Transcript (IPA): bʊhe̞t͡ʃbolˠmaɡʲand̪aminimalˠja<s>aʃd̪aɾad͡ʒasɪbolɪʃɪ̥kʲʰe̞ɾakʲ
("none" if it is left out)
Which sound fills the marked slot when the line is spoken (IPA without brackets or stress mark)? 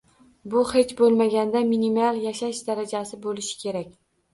ʃ